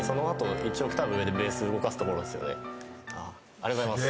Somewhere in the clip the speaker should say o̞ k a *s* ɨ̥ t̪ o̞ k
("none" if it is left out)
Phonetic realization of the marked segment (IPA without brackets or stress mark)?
s